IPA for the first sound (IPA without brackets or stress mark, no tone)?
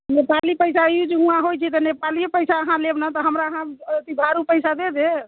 n